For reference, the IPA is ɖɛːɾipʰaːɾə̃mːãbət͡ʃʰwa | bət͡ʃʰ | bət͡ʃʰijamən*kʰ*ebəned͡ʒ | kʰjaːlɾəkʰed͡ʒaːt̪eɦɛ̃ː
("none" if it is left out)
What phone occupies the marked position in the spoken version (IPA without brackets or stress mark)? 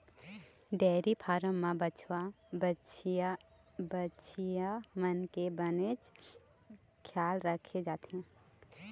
k